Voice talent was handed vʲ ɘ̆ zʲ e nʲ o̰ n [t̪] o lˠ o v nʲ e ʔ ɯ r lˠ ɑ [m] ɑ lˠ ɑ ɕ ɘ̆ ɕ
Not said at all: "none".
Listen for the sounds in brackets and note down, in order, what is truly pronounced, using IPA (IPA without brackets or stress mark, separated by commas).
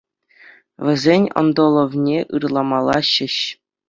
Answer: d̪, m